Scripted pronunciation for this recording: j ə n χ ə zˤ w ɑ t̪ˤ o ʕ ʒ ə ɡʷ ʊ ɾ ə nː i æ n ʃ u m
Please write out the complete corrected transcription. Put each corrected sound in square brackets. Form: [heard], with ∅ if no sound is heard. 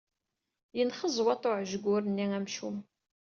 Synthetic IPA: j ə n χ ə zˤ w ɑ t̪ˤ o ʕ ʒ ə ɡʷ ʊ ɾ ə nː i æ [m] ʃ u m

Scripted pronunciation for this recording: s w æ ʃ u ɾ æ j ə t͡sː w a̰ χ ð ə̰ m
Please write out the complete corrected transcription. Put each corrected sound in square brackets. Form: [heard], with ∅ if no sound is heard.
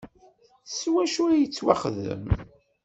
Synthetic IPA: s w æ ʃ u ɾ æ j ə t͡sː w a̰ χ ð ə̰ m

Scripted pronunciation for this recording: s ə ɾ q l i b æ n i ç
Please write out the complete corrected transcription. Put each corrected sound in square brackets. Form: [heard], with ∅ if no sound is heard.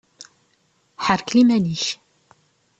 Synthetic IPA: [ħ] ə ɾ [k] l i [m] æ n i ç

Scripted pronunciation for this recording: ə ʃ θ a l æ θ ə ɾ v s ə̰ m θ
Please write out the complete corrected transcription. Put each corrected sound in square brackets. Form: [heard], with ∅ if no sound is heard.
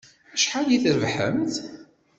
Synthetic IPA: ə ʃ [ħ] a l [i] θ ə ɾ v [ħ] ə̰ m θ

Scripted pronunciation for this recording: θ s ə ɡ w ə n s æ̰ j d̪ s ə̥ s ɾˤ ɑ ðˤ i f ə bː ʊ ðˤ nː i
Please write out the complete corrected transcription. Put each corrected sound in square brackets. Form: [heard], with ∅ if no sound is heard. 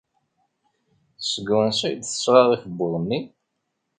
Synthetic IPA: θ s ə ɡ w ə n s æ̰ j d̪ [θ] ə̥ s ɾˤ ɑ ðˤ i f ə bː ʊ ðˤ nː i

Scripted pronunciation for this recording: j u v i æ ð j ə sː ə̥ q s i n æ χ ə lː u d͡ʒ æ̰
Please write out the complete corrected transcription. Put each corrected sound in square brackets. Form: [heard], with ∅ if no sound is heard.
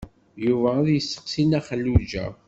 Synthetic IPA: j u v [æ] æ ð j ə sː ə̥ q s i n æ χ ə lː u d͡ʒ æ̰

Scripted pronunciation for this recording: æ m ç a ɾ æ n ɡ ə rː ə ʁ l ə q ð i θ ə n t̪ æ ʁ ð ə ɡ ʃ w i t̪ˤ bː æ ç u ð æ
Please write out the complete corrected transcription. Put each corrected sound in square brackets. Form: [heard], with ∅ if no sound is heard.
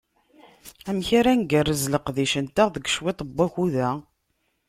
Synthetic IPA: æ m ç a ɾ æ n ɡ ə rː ə [z] l ə q ð i [ʃ] ə n t̪ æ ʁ ð ə ɡ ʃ w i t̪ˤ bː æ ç u ð æ

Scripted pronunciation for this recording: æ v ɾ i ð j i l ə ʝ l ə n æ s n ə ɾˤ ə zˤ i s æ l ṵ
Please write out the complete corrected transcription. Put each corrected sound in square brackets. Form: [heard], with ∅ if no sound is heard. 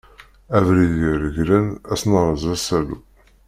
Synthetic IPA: æ v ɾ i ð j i [ɾ] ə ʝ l ə n æ s n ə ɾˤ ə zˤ [æ] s æ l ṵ

